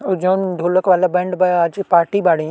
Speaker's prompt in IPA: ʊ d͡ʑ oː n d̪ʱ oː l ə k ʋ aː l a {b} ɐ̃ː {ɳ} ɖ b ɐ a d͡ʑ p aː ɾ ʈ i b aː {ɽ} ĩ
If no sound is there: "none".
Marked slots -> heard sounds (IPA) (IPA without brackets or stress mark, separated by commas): b, ɳ, ɽ